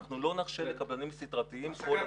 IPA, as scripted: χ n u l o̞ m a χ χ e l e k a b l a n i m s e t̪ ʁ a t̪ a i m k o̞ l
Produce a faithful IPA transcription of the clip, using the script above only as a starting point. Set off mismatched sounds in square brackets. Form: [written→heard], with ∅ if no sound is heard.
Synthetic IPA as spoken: χ n u l o̞ [m→n] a χ [χ→ʃ] e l e k a b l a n i m s [e→i] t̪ ʁ a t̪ [a→i] i m k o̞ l